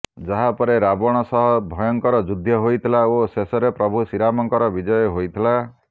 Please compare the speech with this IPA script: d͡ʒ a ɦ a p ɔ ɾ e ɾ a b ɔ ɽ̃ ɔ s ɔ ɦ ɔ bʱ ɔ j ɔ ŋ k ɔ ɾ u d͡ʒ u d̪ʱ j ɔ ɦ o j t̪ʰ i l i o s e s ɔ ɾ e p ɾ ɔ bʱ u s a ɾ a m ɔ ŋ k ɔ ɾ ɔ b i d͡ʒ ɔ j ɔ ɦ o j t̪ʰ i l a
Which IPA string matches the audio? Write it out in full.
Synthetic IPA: d͡ʒ a ɦ a p ɔ ɾ e ɾ a b ɔ ɽ̃ ɔ s ɔ ɦ ɔ bʱ ɔ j ɔ ŋ k ɔ ɾ ɔ d͡ʒ u d̪ʱ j ɔ ɦ o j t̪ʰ i l a o s e s ɔ ɾ e p ɾ ɔ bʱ u s i ɾ a m ɔ ŋ k ɔ ɾ ɔ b i d͡ʒ ɔ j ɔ ɦ o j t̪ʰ i l a